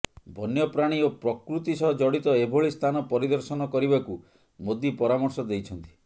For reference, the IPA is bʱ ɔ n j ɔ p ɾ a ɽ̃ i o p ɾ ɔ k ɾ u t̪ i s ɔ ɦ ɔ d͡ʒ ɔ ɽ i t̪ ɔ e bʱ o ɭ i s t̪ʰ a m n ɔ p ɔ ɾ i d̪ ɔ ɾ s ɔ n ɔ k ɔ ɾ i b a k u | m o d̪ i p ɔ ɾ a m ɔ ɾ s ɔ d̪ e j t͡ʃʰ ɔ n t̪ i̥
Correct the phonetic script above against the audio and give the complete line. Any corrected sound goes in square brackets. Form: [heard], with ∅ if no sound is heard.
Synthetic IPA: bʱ ɔ n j ɔ p ɾ a ɽ̃ i o p ɾ ɔ k ɾ u t̪ i s ɔ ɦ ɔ d͡ʒ ɔ ɽ i t̪ ɔ e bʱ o ɭ i s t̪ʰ a [∅] n ɔ p ɔ ɾ i d̪ ɔ ɾ s ɔ n ɔ k ɔ ɾ i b a k u | m o d̪ i p ɔ ɾ a m ɔ ɾ s ɔ d̪ e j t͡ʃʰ ɔ n t̪ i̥